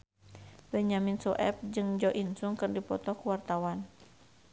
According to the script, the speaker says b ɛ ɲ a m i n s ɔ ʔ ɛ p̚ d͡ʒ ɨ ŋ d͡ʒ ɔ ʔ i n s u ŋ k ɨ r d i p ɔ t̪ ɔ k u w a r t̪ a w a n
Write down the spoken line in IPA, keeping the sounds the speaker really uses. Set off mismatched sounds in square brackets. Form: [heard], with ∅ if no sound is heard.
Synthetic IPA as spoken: b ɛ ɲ a m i n s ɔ ʔ ɛ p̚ d͡ʒ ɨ ŋ d͡ʒ ɔ ʔ i n s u ŋ k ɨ r d i p ɔ t̪ ɔ k u w a r t̪ a w a n